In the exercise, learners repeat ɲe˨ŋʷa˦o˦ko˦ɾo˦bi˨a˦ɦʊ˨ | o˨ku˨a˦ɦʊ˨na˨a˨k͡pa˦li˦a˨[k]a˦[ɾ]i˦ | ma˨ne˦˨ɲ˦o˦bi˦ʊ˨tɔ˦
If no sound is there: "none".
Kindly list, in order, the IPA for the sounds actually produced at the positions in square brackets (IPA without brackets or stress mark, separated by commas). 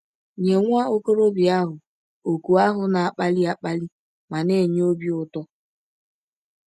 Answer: k͡p, l